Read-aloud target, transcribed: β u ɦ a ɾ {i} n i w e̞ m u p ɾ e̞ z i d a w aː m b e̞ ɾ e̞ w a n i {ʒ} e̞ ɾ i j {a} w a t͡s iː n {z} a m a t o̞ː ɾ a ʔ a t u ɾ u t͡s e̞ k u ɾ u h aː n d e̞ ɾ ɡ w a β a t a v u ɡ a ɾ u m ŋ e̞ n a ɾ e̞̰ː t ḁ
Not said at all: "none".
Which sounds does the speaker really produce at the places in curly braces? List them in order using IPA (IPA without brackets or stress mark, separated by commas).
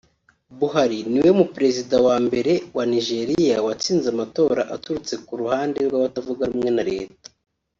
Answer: i, ʒ, a, z